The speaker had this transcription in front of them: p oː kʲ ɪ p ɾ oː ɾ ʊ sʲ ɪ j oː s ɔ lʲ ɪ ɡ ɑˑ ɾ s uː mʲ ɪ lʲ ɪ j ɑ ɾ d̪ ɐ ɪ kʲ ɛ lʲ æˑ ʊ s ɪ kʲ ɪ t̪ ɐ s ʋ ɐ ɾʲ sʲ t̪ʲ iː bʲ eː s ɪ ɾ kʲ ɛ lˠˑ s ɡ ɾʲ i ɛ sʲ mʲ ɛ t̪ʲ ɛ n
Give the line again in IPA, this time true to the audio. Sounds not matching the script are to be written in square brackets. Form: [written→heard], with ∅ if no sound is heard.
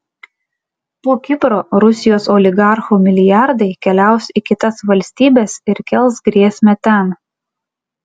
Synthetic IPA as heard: p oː kʲ ɪ p ɾ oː ɾ ʊ sʲ ɪ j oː s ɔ lʲ ɪ ɡ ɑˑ ɾ [s→x] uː mʲ ɪ lʲ ɪ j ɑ ɾ d̪ ɐ ɪ kʲ ɛ lʲ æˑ ʊ s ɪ kʲ ɪ t̪ ɐ s ʋ ɐ [ɾʲ→lʲ] sʲ t̪ʲ iː bʲ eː s ɪ ɾ kʲ ɛ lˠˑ s ɡ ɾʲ i ɛ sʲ mʲ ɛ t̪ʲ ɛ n